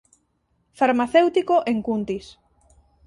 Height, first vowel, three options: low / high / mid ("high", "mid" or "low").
low